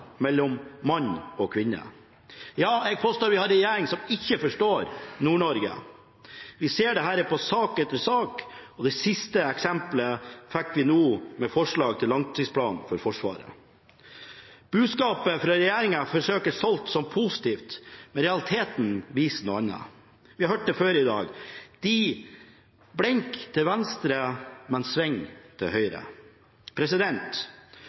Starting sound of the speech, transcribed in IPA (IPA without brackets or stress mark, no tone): m